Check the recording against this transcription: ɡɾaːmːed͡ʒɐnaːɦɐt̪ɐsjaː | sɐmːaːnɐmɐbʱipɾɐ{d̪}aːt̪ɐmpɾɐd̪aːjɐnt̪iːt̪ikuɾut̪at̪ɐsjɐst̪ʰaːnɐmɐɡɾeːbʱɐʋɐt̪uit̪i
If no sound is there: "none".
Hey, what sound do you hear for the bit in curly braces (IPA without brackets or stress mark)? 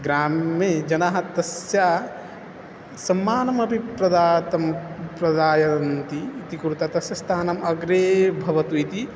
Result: d̪